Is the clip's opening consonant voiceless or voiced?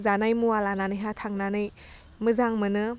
voiced